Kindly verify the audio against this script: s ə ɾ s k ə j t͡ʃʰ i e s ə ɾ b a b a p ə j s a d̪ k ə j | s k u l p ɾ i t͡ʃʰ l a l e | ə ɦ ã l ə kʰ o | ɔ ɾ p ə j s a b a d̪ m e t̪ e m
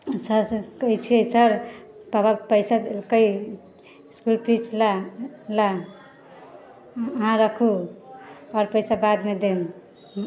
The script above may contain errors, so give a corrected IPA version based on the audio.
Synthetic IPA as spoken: s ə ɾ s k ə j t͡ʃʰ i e s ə ɾ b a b a p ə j s a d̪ k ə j | s k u l p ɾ i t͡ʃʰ l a l a | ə ɦ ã ɾ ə kʰ u | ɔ ɾ p ə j s a b a d̪ m e d̪ e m